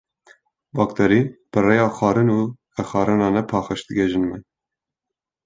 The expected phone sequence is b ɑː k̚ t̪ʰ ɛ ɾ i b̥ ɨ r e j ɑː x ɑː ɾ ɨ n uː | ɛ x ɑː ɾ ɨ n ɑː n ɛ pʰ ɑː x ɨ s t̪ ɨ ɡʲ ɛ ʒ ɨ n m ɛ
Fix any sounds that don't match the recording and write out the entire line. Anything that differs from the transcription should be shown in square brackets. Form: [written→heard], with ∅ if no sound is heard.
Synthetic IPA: b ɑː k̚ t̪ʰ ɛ ɾ i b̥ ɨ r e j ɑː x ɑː ɾ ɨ n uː | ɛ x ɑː ɾ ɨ n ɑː n ɛ pʰ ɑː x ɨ [s→ʃ] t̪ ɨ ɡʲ ɛ ʒ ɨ n m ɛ